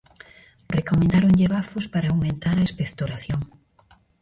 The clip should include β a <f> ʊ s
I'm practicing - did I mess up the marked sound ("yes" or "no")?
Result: no